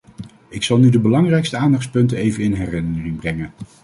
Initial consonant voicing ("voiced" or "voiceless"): voiceless